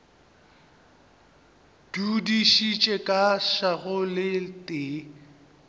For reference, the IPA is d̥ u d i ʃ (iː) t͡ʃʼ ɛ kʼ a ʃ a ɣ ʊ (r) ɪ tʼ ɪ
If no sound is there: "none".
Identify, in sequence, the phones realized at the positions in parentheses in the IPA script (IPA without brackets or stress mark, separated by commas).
i, l